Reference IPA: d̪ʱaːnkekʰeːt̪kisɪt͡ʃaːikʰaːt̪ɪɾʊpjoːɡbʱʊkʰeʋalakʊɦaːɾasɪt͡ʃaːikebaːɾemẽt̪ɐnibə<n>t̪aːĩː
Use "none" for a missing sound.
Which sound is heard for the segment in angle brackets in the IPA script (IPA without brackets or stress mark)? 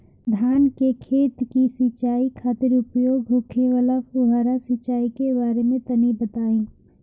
none